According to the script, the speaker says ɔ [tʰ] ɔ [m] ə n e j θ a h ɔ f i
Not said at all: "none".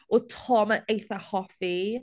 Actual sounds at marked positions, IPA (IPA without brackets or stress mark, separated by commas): tʰ, m